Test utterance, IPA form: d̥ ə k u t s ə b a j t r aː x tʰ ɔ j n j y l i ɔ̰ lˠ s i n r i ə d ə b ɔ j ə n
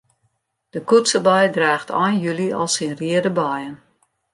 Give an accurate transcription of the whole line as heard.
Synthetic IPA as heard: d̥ ə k u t s ə b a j d r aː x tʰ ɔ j n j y l i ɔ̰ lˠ s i n r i ə d ə b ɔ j ə n